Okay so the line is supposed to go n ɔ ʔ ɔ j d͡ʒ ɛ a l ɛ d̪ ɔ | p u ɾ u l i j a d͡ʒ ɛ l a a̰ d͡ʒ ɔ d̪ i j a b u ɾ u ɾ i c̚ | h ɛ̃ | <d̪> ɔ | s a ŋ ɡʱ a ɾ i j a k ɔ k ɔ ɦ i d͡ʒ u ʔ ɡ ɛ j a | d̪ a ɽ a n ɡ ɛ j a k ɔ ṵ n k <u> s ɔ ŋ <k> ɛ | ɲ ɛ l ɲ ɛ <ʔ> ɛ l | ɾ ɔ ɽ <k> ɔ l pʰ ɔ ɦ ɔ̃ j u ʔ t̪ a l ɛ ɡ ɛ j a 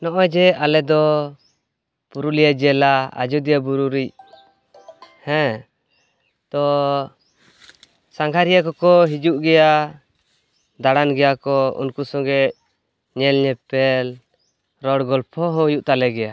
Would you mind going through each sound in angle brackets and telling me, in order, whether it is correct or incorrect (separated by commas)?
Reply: incorrect, correct, incorrect, incorrect, incorrect